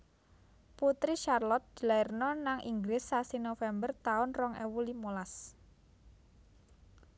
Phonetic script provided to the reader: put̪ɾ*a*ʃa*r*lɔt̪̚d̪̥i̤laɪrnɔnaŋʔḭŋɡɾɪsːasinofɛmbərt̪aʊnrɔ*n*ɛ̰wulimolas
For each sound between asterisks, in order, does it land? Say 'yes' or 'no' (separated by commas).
no, yes, no